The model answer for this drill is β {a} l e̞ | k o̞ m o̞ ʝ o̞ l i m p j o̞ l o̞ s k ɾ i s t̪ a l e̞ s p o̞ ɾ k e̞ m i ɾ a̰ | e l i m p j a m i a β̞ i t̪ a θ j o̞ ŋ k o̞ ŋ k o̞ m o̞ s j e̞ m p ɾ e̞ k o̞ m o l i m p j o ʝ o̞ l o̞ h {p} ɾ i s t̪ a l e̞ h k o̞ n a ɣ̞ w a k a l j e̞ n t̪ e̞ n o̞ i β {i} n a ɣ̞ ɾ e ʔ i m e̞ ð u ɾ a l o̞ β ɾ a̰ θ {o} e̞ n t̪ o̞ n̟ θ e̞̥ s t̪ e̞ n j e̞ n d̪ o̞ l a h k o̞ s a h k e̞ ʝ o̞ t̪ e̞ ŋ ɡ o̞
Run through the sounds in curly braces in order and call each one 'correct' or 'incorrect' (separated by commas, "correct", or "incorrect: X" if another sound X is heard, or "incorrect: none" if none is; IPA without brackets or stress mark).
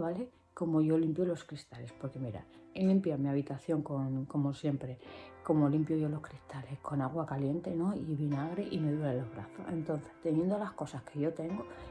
correct, incorrect: k, correct, correct